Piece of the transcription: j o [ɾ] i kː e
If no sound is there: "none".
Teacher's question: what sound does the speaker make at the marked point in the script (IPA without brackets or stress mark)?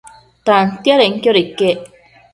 ɾ